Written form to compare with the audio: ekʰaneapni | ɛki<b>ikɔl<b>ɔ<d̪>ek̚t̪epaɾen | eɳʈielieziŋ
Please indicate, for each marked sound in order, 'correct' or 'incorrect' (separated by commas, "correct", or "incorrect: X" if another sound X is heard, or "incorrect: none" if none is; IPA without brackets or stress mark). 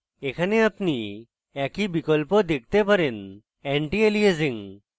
correct, incorrect: p, correct